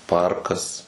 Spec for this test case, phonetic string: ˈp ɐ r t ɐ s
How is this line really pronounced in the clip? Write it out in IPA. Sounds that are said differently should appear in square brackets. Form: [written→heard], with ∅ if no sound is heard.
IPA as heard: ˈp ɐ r [t→k] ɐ s